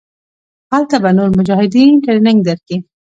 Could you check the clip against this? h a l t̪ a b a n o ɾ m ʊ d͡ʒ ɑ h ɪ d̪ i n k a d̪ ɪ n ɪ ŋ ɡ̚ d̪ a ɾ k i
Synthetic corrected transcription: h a l t̪ a b a n o ɾ m ʊ d͡ʒ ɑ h ɪ d̪ i n k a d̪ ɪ n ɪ ŋ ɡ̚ d̪ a ɾ k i

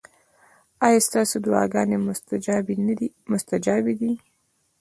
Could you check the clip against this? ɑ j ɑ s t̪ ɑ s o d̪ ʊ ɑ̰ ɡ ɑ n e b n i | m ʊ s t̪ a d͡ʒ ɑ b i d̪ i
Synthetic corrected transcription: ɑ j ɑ s t̪ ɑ s o d̪ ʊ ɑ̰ ɡ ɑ n e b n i | m ʊ s t̪ a d͡ʒ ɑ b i d̪ i

